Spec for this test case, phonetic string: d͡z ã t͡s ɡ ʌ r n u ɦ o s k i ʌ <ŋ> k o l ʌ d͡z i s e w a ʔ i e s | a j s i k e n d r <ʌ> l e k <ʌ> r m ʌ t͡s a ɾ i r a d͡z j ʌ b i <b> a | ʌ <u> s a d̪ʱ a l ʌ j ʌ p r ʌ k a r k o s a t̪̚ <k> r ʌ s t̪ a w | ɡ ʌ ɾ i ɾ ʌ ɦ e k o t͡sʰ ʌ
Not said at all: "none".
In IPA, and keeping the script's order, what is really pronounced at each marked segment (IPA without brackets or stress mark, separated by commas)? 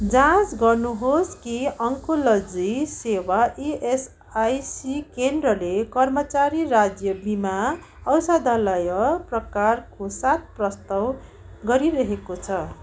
ŋ, ʌ, ʌ, m, w, p